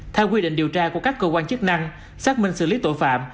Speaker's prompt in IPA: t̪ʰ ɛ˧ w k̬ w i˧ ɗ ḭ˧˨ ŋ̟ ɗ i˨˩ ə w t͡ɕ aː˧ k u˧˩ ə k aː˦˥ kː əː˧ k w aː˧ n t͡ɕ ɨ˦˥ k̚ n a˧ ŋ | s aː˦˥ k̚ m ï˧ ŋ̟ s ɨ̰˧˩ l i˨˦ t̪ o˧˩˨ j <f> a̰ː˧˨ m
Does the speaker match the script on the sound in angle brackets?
yes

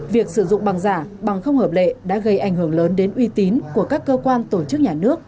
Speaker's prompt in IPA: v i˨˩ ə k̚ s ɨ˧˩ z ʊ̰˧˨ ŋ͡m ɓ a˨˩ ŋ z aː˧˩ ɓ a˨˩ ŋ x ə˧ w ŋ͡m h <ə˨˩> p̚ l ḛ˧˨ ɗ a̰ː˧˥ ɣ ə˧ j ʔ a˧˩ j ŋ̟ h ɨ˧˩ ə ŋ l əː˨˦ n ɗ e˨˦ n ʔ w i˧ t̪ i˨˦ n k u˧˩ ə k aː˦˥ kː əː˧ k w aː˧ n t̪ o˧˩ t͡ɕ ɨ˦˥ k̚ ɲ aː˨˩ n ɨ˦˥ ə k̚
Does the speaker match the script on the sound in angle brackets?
no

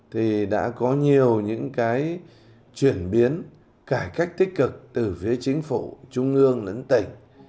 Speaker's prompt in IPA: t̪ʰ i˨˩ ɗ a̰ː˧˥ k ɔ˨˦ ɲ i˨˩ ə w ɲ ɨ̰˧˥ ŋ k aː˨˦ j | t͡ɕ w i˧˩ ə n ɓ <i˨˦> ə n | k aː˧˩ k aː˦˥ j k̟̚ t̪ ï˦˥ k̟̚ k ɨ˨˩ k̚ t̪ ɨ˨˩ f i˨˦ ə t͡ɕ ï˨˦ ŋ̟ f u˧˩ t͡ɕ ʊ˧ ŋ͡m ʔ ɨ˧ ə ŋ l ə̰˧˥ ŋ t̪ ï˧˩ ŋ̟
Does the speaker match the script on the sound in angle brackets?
yes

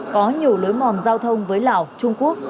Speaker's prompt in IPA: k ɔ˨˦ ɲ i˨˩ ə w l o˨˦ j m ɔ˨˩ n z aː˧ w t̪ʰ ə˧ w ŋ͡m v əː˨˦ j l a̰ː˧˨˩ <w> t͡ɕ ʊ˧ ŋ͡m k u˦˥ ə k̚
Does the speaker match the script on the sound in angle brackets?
yes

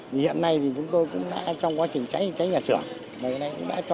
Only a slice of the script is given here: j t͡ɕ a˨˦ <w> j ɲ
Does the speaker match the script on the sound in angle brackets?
no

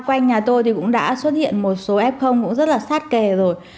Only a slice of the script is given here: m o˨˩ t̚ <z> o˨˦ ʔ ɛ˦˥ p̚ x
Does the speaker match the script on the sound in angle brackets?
no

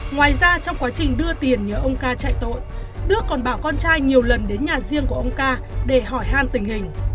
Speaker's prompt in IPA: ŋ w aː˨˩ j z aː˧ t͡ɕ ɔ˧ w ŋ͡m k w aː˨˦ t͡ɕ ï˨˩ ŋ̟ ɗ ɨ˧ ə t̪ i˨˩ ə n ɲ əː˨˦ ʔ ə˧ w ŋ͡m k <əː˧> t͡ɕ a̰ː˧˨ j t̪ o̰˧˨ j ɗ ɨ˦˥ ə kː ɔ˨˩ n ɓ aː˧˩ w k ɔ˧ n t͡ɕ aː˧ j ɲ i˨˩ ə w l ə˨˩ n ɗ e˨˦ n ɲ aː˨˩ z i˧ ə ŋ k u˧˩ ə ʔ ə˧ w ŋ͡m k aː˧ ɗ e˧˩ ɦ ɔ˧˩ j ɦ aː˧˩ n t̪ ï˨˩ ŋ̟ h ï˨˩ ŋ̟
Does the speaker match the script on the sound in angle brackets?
no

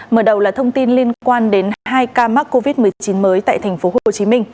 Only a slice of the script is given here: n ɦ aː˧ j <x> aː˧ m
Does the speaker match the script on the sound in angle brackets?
no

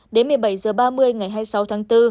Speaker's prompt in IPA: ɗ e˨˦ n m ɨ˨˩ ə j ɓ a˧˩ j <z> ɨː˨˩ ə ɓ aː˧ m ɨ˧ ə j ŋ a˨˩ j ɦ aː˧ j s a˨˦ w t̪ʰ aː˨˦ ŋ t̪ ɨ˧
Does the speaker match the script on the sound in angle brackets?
yes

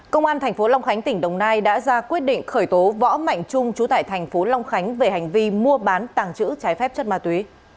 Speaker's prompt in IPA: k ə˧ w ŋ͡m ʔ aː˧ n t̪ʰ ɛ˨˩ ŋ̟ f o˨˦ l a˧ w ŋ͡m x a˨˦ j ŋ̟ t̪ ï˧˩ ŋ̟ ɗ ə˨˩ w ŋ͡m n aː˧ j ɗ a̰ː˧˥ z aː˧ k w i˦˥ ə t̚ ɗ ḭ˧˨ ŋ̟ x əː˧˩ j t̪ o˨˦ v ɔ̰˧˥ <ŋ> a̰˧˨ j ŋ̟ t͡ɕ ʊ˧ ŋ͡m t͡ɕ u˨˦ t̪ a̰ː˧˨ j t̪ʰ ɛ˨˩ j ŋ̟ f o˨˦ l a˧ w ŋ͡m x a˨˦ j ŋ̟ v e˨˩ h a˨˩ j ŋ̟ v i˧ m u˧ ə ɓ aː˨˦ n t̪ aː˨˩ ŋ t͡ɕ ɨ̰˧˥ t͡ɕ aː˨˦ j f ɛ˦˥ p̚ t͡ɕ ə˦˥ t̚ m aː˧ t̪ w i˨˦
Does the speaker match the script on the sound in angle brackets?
no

